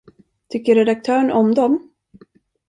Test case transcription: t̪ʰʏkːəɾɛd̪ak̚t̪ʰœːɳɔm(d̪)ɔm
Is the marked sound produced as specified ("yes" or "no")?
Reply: yes